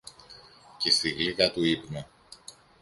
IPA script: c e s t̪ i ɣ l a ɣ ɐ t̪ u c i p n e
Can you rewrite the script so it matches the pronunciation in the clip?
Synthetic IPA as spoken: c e s t̪ i ɣ l i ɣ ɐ t̪ u i p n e

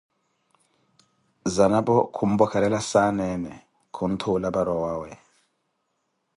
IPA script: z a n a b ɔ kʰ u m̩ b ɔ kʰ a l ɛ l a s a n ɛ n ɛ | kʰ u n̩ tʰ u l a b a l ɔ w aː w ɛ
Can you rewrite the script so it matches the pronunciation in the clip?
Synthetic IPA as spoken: z a n a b ɔ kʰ u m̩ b ɔ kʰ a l ɛ l a s a n ɛ n ɛ | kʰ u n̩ tʰ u l a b a ɾ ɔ w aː w ɛ

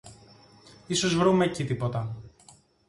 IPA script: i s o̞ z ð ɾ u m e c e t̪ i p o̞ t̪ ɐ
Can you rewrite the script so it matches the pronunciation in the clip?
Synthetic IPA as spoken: i s o̞ z v ɾ u m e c i t̪ i p o̞ t̪ ɐ

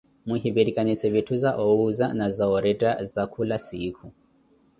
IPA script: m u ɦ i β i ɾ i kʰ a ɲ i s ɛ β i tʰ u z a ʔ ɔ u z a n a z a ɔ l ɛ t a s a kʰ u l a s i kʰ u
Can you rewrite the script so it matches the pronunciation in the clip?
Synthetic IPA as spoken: m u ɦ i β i ɾ i k a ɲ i s ɛ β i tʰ u z a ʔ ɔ u z a n a z a ɔ ɾ ɛ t a z a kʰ u l a s i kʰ u

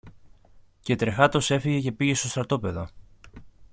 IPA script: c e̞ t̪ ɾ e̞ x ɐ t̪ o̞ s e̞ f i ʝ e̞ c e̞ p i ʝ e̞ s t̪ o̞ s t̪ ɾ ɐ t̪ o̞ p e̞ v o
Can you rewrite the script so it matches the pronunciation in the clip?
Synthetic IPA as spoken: c e̞ t̪ ɾ e̞ x ɐ t̪ o̞ s e̞ f i ʝ e̞ c e̞ p i ʝ e̞ s t̪ o̞ s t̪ ɾ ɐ t̪ o̞ p e̞ ð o

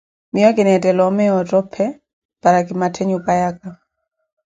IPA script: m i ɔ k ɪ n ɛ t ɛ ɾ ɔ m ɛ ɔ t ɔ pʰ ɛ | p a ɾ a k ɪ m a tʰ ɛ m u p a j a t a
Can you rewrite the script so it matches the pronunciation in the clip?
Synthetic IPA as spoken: m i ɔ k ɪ n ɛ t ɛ l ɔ m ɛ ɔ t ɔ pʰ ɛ | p a ɾ a k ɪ m a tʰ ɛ ɲ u p a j a k a

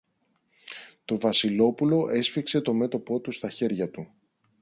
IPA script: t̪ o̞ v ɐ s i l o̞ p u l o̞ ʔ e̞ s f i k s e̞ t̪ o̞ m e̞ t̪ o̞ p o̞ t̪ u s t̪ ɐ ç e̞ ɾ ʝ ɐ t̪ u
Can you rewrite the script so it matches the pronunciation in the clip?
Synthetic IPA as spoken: t̪ o̞ v ɐ s i l o̞ p u l o̞ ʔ e̞ s f i k s e̞ t̪ o̞ m e̞ t̪ o̞ p o̞ t̪ u s t̪ ɐ ç e̞ ɾ ʝ ɐ t̪ u

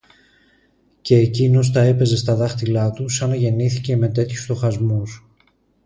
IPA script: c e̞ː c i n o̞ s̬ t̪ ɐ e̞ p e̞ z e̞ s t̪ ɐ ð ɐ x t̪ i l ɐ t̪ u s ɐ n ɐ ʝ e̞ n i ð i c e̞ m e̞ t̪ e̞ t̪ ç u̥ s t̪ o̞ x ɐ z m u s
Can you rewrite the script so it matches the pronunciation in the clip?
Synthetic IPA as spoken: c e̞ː c i n o̞ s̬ t̪ ɐ e̞ p e̞ z e̞ s t̪ ɐ ð ɐ x t̪ i l ɐ t̪ u s ɐ n ɐ ʝ e̞ n i θ i c e̞ m e̞ t̪ e̞ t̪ ç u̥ s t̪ o̞ x ɐ z m u s

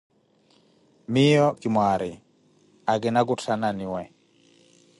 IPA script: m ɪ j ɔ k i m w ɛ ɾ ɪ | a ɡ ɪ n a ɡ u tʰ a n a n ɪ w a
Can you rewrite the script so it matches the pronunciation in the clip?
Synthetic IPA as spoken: m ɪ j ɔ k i m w a ɾ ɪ | a ɡ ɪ n a ɡ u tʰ a n a n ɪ w ɛ

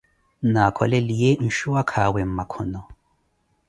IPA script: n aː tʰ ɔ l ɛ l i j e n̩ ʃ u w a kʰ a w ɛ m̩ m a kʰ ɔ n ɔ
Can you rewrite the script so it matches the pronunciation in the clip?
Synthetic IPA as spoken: n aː kʰ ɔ l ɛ l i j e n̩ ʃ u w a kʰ a w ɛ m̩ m a kʰ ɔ n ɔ

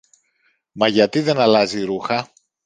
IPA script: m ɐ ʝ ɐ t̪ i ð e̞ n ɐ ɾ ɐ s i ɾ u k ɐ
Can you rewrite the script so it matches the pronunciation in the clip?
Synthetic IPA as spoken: m ɐ ʝ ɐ t̪ i ð e̞ n ɐ l ɐ z i ɾ u x ɐ

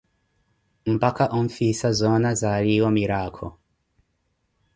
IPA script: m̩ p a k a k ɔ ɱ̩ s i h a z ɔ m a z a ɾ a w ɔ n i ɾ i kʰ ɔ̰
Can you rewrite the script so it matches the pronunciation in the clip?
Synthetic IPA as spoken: m̩ p a k a ʔ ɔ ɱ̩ f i s a z ɔ n a z a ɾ i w ɔ m i ɾ a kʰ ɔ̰

